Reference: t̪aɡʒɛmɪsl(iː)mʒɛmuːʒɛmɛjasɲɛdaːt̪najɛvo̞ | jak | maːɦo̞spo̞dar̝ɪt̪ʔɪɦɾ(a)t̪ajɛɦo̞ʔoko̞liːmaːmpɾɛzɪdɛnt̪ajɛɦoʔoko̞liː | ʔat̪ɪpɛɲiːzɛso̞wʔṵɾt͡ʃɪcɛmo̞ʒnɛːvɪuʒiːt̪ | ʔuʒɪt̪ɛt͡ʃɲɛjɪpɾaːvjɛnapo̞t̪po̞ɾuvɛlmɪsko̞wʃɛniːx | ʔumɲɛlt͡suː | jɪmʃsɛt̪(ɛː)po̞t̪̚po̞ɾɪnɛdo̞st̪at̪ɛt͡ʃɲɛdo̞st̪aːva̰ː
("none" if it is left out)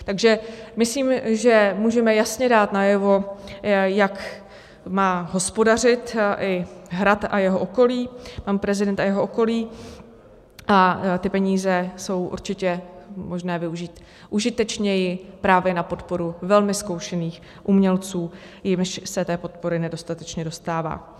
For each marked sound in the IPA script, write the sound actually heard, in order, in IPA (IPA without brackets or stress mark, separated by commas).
iː, a, ɛː